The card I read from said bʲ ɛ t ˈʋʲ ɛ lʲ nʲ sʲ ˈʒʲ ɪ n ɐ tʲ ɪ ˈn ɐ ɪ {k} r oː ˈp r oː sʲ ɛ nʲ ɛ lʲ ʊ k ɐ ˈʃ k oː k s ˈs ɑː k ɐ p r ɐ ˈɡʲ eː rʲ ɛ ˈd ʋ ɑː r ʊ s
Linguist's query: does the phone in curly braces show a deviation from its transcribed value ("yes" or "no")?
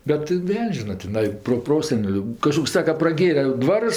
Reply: yes